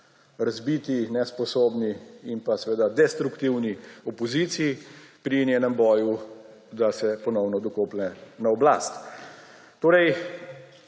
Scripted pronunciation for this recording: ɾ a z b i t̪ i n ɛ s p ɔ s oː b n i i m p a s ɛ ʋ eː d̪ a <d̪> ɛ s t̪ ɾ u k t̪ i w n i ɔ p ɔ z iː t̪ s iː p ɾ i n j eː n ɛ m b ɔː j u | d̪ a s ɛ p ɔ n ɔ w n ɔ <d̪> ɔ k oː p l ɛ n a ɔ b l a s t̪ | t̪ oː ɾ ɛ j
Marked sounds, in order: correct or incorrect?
correct, correct

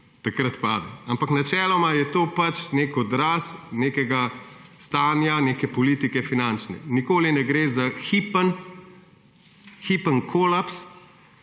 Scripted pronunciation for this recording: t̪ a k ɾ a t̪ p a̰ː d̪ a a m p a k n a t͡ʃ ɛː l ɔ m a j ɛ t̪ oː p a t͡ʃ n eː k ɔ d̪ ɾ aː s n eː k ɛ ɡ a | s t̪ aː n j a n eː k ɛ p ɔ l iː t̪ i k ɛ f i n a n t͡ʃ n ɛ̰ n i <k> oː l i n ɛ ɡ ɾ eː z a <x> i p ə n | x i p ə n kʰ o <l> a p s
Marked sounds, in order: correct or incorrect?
correct, correct, correct

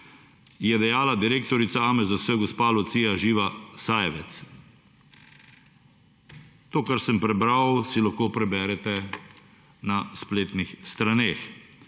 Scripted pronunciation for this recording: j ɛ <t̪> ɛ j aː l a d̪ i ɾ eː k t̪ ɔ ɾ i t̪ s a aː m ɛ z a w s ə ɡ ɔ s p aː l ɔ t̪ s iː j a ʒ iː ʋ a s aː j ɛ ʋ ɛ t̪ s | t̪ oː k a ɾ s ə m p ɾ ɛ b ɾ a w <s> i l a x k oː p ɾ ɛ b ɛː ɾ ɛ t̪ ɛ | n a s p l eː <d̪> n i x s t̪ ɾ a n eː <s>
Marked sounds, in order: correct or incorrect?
incorrect: d̪, correct, incorrect: t̪, incorrect: x

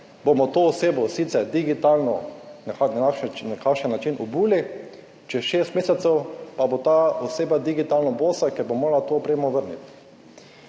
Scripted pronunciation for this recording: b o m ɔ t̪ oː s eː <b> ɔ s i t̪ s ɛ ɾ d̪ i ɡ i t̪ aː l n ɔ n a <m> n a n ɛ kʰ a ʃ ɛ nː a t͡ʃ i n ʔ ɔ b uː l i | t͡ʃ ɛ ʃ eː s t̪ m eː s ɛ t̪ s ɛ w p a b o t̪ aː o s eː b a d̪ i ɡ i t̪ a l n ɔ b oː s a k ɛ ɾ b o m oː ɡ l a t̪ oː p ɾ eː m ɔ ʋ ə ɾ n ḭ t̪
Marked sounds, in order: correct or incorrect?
correct, incorrect: none

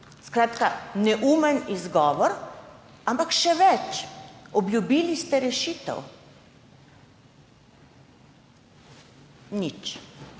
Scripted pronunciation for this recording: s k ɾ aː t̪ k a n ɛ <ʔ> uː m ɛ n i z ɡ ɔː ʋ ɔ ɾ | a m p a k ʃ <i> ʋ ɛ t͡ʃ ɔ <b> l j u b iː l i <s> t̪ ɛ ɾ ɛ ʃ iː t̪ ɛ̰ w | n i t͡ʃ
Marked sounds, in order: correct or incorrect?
correct, incorrect: ɛ, correct, correct

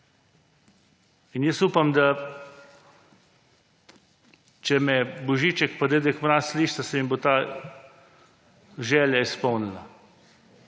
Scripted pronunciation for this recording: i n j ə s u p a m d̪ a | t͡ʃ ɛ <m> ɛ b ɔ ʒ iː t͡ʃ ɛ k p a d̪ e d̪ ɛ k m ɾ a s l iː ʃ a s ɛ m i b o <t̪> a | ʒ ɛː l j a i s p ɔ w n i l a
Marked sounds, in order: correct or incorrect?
correct, correct

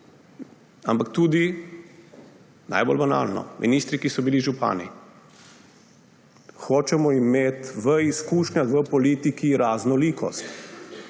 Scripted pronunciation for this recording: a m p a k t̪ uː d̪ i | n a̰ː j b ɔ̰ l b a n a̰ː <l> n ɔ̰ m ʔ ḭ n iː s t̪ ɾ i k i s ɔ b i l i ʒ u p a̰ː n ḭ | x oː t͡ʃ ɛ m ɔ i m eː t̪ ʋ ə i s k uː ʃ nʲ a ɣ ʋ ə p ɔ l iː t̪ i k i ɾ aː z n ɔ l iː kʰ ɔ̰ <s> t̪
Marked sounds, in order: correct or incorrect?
correct, correct

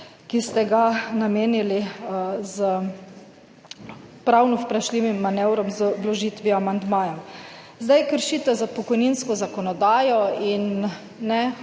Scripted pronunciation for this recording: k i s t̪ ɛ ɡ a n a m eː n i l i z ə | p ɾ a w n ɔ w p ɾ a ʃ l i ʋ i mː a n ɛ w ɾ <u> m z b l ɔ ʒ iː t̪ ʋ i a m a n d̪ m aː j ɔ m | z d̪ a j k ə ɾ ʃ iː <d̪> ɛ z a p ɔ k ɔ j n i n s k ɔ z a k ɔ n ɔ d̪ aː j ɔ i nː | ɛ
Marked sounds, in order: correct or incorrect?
incorrect: ɔ, incorrect: t̪

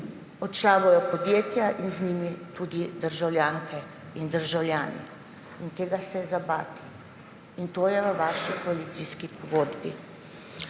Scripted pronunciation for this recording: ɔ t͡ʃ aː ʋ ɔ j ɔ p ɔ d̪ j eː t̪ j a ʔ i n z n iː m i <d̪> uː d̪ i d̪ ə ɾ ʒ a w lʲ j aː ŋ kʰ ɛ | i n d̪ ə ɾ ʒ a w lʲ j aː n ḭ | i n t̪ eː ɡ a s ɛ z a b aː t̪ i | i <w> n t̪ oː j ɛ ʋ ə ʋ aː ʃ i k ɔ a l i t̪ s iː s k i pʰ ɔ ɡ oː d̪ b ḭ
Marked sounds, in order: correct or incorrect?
incorrect: t̪, incorrect: none

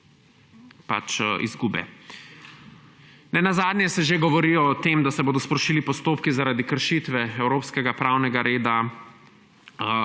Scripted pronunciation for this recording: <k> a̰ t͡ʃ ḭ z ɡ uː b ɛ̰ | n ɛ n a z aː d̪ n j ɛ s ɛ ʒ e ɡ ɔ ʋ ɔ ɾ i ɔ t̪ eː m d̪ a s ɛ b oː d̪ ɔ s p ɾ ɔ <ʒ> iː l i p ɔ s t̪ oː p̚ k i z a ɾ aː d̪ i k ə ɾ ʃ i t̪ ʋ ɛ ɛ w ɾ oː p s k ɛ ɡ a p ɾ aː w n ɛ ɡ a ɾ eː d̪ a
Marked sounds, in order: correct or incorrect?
incorrect: p, incorrect: ʃ

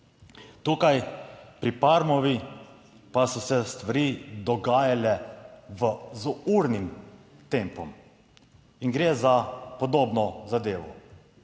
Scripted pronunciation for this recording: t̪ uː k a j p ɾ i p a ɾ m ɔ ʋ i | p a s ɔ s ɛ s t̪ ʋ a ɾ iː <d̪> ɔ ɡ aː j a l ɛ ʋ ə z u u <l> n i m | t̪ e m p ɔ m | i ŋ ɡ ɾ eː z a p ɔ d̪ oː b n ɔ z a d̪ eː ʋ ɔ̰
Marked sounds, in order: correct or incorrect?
correct, incorrect: ɾ

